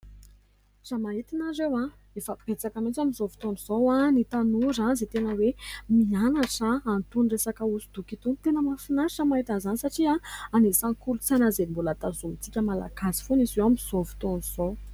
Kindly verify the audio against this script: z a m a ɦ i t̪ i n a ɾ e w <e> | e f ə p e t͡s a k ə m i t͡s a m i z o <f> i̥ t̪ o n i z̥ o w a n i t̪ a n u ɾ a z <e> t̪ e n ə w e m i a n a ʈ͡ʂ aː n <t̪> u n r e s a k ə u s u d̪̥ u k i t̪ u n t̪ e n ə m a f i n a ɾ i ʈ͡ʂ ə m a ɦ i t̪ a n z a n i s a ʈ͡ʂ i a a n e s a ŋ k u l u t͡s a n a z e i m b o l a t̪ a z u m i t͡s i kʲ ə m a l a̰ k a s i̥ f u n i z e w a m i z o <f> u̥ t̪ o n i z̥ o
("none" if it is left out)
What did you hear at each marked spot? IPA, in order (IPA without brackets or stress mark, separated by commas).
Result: a, v, e, t̪, v